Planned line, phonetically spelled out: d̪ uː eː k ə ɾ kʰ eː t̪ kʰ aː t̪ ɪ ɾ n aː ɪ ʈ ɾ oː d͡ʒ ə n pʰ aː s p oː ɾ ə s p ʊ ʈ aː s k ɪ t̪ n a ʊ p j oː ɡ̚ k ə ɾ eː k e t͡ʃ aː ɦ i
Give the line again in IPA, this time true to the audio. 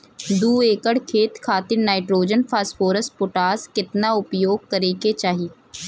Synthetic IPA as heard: d̪ uː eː k ə ɽ kʰ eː t̪ kʰ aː t̪ ɪ ɾ n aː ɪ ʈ ɾ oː d͡ʒ ə n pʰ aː s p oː ɾ ə s p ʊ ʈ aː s k ɪ t̪ n a ʊ p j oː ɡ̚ k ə ɾ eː k e t͡ʃ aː ɦ i